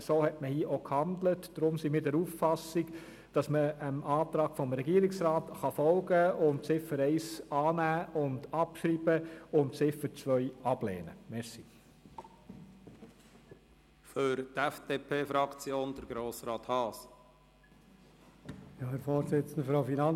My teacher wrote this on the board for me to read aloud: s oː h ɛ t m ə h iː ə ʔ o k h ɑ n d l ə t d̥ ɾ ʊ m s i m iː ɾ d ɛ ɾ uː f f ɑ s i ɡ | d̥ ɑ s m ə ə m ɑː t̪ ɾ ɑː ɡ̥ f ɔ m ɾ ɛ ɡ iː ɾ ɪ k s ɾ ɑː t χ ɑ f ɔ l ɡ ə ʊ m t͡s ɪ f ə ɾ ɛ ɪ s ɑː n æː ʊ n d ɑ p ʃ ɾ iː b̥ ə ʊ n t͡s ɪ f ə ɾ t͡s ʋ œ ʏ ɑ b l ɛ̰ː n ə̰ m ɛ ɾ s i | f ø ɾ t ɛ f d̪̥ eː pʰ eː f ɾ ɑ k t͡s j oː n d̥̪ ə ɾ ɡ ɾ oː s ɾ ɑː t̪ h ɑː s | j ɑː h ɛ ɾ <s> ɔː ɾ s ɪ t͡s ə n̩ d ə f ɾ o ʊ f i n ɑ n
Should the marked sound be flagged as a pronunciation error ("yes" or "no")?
yes